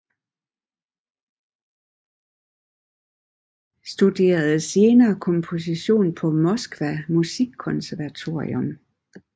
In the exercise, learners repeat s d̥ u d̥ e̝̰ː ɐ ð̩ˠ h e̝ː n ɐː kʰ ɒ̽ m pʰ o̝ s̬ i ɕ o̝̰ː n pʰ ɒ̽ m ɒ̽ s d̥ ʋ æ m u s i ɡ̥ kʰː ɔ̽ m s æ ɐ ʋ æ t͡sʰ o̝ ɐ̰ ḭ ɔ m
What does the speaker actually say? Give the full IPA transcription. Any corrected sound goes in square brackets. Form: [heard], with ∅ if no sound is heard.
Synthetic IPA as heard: s d̥ u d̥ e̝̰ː ɐ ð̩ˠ [s] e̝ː n ɐː kʰ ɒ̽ m pʰ o̝ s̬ i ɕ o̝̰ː n pʰ ɒ̽ m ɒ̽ s [ɡ̥] ʋ æ m u s i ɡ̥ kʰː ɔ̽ [n] s æ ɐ ʋ æ t͡sʰ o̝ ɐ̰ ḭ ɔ m